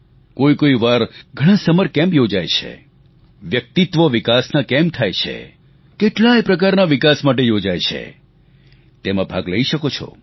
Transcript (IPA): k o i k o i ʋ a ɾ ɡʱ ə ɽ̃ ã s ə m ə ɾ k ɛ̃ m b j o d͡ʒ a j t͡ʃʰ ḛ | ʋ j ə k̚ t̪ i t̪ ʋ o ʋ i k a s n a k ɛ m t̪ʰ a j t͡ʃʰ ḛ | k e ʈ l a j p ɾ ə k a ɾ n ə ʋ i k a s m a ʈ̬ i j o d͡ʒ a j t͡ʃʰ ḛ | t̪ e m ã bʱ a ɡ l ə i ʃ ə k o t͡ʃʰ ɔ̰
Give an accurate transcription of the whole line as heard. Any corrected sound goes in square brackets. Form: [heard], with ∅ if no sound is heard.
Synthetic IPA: k o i k o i ʋ a ɾ ɡʱ ə ɽ̃ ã s ə m ə ɾ k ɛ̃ m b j o d͡ʒ a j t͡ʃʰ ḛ | ʋ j ə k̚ t̪ i t̪ ʋ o ʋ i k a s n a k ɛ m t̪ʰ a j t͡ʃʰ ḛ | k e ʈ l a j p ɾ ə k a ɾ n [a] ʋ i k a s m a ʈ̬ [e] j o d͡ʒ a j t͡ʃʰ ḛ | t̪ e m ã bʱ a ɡ l ə i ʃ ə k o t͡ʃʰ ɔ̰